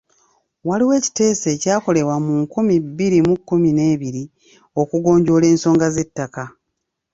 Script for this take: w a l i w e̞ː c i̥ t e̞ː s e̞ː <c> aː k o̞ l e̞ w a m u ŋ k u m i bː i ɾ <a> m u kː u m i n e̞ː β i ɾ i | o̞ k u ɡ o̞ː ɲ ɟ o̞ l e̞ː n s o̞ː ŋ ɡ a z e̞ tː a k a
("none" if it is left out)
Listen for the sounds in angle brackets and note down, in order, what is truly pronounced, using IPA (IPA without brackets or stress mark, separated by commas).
c, i